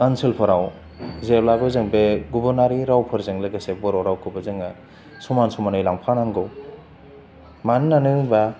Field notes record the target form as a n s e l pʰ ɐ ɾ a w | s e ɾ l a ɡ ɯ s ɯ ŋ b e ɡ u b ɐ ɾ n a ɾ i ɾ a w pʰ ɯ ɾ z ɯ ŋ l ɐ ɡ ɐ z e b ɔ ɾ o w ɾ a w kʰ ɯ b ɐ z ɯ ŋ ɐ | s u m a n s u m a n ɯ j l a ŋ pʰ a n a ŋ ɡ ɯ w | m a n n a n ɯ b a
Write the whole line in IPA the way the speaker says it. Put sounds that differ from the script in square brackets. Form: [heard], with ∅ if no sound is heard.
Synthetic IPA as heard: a n s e l pʰ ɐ ɾ a w | [z] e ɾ l a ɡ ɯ [z] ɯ ŋ b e ɡ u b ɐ ɾ n a ɾ i ɾ a w pʰ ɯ ɾ z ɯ ŋ l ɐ ɡ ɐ [s] e b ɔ ɾ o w ɾ a w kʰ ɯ b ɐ z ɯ ŋ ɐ | s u m a n s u m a n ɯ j l a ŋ pʰ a n a ŋ ɡ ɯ w | m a n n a n ɯ b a